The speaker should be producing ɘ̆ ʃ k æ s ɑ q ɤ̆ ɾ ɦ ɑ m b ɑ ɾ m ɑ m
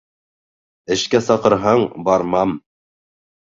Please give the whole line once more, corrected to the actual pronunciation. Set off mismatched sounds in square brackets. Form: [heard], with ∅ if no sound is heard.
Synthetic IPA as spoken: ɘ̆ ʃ k æ s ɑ q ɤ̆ ɾ ɦ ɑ [ɴ] b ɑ ɾ m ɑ m